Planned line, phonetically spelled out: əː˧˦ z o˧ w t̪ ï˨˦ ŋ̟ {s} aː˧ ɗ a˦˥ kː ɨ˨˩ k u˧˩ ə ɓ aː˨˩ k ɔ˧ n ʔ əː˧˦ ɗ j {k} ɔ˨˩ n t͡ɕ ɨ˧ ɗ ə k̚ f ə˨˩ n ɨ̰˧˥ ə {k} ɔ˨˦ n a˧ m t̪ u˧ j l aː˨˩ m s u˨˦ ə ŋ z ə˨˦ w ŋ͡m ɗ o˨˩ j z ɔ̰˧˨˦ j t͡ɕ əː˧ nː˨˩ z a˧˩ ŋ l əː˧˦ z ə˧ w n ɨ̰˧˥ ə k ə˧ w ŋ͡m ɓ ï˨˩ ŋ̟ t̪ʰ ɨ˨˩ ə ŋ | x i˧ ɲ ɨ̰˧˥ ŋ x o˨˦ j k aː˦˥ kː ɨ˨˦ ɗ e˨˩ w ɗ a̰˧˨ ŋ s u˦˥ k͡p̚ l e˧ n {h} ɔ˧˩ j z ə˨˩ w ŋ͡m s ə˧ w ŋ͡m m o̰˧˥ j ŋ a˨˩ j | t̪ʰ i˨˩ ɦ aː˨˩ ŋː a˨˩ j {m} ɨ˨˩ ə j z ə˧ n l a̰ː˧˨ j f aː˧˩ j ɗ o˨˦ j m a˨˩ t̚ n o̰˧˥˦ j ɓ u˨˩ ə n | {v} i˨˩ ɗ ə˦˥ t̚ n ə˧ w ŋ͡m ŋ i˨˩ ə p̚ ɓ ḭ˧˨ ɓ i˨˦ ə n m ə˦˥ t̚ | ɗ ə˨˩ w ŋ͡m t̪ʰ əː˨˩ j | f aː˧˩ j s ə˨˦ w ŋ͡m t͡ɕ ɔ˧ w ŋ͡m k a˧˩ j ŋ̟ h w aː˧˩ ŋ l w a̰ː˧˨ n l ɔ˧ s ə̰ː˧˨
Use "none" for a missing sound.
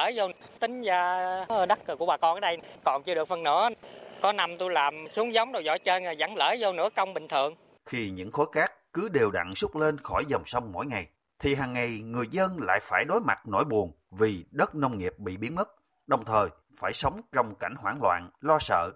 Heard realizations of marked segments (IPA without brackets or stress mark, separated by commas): z, k, k, x, ŋ, v